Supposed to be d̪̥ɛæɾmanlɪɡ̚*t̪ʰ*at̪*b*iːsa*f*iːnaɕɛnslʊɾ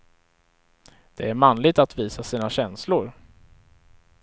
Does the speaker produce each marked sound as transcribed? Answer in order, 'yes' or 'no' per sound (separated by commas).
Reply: no, no, no